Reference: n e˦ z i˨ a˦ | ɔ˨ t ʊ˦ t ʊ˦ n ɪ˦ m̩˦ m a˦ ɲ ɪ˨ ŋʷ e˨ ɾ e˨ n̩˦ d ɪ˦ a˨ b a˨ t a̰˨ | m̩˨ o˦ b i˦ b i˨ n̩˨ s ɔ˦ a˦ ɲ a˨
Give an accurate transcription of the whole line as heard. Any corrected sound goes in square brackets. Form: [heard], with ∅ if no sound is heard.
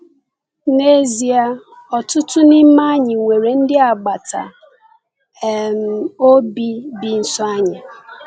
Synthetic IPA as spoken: n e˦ z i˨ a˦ | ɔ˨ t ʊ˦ t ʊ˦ n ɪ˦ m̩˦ m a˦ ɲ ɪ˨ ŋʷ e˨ ɾ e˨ n̩˦ d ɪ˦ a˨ [ɡ͡b] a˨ t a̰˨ | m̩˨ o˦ b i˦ b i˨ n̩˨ s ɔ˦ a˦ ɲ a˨